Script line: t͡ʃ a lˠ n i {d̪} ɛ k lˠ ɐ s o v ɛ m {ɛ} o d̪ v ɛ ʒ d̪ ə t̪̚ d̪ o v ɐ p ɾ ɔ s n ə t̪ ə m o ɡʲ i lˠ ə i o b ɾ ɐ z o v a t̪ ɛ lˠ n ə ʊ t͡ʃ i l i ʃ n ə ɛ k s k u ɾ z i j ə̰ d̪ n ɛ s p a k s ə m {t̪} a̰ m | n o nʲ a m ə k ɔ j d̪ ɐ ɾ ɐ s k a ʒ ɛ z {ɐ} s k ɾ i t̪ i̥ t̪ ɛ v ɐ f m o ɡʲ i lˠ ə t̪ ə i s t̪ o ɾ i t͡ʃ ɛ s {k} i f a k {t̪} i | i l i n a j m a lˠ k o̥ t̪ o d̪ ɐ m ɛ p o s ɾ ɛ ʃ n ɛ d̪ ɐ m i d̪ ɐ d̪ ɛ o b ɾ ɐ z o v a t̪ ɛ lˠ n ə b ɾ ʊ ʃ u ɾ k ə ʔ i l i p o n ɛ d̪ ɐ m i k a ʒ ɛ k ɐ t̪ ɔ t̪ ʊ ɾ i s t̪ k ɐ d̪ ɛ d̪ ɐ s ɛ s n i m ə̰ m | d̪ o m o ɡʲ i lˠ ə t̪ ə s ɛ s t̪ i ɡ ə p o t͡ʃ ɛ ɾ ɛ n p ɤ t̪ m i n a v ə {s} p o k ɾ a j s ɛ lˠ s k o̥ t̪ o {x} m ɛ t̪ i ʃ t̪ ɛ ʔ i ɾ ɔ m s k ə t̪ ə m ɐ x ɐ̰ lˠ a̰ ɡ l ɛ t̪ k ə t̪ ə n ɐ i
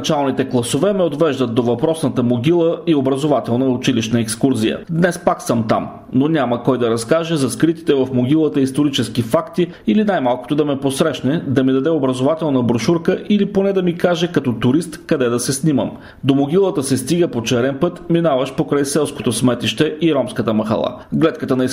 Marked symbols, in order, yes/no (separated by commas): no, yes, yes, yes, yes, yes, no, no